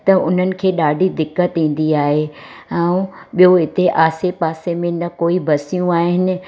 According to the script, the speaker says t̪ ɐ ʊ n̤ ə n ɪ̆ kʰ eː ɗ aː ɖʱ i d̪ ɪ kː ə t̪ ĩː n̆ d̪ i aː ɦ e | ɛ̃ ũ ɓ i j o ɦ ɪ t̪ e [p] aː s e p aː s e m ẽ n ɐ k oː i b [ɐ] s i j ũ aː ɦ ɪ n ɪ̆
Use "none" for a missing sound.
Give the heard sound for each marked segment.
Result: ʔ, ɐ

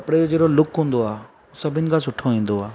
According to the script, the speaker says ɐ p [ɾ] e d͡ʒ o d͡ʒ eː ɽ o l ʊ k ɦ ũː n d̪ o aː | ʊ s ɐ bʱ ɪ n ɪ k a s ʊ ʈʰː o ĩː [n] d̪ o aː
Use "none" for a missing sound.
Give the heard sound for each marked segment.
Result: ɽ, n

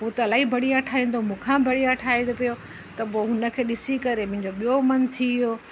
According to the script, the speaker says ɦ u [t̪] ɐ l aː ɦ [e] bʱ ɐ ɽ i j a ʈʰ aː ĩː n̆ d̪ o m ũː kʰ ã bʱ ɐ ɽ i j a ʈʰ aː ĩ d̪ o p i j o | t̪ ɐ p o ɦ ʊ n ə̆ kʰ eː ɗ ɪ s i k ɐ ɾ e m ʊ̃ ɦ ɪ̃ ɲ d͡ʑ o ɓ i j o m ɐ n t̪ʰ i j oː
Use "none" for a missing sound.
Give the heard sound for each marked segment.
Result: t̪, i

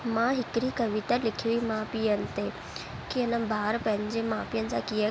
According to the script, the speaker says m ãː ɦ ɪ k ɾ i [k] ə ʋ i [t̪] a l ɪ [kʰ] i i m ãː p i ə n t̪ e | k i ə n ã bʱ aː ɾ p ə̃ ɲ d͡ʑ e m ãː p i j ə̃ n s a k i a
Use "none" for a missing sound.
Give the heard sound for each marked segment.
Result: k, t̪, kʰ

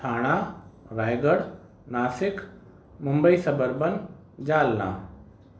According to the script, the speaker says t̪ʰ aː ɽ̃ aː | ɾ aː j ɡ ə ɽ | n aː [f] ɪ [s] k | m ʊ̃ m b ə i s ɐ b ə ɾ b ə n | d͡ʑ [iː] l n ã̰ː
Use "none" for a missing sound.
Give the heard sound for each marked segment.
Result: s, none, aː

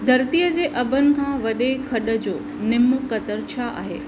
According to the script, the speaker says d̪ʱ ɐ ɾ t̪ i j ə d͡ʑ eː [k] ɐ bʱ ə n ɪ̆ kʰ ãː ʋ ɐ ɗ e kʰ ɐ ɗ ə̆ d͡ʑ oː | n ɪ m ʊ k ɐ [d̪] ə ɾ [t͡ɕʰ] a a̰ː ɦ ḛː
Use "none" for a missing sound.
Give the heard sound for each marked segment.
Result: ʔ, t̪, t͡ɕʰ

